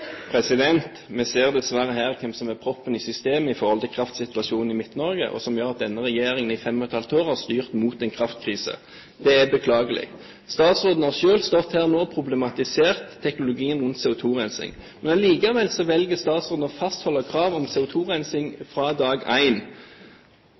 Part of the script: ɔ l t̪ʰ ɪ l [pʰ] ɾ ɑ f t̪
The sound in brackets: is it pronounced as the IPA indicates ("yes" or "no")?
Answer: no